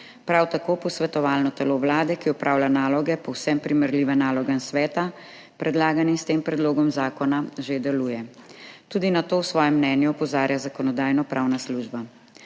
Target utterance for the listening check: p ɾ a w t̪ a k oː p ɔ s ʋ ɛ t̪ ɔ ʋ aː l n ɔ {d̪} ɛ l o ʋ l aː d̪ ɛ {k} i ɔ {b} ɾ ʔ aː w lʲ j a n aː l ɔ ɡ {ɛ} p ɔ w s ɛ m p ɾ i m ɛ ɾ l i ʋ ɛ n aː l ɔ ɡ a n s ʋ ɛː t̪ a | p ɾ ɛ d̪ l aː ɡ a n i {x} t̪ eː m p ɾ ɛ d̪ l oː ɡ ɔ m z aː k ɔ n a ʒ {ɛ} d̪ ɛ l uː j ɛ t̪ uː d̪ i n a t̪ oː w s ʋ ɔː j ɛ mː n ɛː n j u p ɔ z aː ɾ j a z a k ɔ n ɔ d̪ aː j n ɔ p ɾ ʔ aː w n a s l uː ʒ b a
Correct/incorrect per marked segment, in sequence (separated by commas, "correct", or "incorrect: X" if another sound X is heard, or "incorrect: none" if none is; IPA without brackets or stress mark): incorrect: t̪, correct, incorrect: p, correct, incorrect: s, incorrect: e